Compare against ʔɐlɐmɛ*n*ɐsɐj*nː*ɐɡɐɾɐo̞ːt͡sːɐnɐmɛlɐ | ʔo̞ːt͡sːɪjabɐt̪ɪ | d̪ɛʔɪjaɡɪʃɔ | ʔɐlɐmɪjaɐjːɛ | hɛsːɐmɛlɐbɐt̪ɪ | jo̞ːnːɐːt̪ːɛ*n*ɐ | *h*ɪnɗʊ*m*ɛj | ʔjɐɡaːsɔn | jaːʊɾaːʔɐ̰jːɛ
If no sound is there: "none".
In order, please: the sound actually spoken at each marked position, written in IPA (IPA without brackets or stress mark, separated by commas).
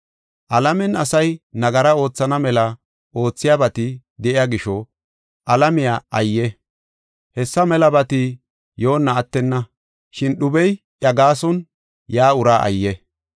n, n, nː, ʃ, b